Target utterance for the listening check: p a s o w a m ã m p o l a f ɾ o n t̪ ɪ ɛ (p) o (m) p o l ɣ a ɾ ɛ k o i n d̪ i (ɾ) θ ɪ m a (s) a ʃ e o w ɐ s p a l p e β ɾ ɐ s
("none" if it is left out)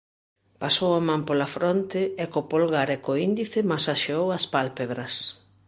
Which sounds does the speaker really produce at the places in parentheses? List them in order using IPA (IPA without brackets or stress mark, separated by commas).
k, none, none, s